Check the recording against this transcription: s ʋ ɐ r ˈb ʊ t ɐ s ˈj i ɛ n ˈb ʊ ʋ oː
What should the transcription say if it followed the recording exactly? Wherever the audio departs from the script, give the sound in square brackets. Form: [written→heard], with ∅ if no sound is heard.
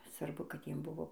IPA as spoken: s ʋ ɐ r ˈb ʊ [t→k] ɐ [s→t] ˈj i ɛ [n→m] ˈb ʊ ʋ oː